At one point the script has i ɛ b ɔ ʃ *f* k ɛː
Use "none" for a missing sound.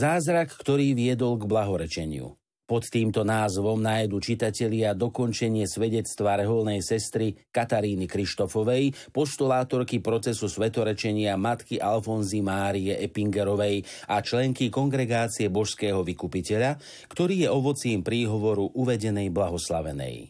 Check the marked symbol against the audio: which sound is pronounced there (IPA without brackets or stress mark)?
s